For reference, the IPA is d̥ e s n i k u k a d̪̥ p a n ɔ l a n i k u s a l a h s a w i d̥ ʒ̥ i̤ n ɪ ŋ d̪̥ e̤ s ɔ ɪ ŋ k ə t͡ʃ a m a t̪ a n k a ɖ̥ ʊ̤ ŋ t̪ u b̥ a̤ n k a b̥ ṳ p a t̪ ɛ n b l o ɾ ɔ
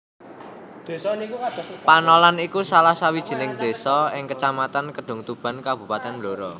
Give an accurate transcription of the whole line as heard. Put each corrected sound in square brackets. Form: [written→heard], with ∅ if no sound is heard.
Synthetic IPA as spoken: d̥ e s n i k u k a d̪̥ p a n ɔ l a n i k u s a l a h s a w i d̥ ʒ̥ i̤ n ɪ ŋ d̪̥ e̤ s ɔ ɪ ŋ k ə t͡ʃ a m a t̪ a n k [a→ə] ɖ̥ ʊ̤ ŋ t̪ u b̥ a̤ n k a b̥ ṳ p a t̪ ɛ n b l o ɾ ɔ